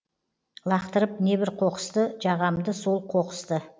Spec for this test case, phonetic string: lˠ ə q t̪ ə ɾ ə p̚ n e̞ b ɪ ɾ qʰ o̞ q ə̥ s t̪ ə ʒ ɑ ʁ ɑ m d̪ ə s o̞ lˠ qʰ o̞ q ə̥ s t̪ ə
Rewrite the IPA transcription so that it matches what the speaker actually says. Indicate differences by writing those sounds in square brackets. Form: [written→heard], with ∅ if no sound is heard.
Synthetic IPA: lˠ [ə→ɑ] q t̪ ə ɾ ə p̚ n e̞ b ɪ ɾ qʰ o̞ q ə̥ s t̪ ə ʒ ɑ ʁ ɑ m d̪ ə s o̞ lˠ qʰ o̞ q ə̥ s t̪ ə